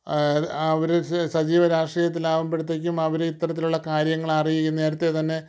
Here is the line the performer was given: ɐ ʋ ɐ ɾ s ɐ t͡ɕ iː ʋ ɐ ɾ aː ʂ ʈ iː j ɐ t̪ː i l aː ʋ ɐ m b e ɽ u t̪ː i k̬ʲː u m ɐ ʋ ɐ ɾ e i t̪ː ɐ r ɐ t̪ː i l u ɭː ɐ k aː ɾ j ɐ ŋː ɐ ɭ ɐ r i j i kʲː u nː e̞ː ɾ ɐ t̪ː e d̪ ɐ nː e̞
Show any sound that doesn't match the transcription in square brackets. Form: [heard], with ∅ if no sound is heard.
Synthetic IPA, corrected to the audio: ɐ ʋ ɐ ɾ s ɐ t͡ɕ iː ʋ ɐ ɾ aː ʂ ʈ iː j ɐ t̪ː i l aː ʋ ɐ m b e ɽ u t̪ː [e] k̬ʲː u m ɐ ʋ ɐ ɾ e i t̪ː ɐ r ɐ t̪ː i l u ɭː ɐ k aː ɾ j ɐ ŋː ɐ ɭ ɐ r i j i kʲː u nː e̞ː ɾ ɐ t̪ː e [t̪] ɐ nː e̞